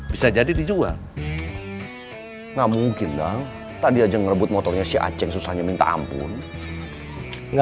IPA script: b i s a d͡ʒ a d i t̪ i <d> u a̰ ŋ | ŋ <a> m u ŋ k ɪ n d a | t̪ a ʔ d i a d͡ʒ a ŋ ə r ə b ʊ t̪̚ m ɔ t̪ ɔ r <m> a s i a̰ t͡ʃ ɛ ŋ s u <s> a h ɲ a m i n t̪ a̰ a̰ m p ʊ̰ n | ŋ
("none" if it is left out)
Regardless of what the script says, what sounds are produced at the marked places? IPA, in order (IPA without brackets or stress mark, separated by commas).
d͡ʒ, a, ɲ, s